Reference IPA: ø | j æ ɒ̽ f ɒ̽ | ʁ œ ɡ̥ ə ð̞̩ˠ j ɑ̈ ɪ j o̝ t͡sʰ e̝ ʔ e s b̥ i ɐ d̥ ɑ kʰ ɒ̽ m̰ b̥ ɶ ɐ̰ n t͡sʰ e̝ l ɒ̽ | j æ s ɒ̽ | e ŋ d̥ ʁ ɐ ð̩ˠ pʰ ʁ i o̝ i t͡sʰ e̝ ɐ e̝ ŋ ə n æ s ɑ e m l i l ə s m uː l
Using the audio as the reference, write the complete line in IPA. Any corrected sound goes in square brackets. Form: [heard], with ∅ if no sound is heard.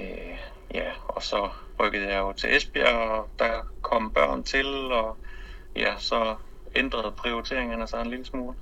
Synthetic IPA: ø | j æ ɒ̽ [s] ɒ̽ | ʁ œ ɡ̥ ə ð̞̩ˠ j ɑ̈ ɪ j o̝ t͡sʰ e̝ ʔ e s b̥ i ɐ d̥ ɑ kʰ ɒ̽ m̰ b̥ ɶ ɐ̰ n t͡sʰ e̝ l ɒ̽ | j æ s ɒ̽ | e [n] d̥ ʁ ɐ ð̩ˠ pʰ ʁ i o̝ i t͡sʰ e̝ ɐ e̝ ŋ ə n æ s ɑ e [n] l i l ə s m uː l